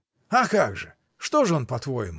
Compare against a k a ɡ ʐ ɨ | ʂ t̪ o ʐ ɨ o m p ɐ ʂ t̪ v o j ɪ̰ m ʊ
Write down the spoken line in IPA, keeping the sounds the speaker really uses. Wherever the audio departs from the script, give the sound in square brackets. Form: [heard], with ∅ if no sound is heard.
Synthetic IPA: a k a ɡ ʐ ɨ | ʂ t̪ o ʐ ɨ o [n] p ɐ [∅] t̪ v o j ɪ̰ m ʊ